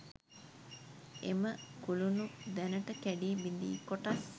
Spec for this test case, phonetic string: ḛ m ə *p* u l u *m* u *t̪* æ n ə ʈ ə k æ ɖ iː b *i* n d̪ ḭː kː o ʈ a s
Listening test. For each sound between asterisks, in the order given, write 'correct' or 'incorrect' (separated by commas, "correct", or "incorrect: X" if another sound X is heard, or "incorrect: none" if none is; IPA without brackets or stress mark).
incorrect: k, incorrect: n, incorrect: d̪, correct